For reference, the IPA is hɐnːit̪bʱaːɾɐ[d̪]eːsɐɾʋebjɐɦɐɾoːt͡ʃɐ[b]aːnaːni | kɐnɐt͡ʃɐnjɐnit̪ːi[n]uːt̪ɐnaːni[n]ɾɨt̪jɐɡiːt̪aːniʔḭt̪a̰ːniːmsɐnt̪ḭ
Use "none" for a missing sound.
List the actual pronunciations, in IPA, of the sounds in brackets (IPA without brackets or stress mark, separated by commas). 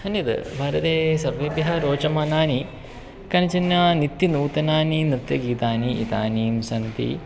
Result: t̪, m, n, n